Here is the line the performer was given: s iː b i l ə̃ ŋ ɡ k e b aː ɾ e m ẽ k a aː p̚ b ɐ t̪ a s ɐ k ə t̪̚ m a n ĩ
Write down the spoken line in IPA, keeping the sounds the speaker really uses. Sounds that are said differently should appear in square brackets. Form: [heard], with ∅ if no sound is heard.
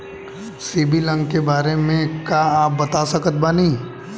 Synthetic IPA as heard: s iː b i l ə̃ ŋ ɡ k e b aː ɾ e m ẽ k a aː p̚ b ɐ t̪ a s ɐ k ə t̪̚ [b] a n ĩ